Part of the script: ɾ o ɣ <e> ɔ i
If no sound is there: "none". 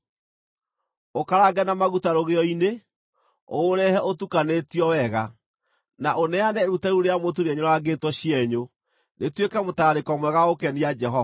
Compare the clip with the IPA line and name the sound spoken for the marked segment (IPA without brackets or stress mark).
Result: e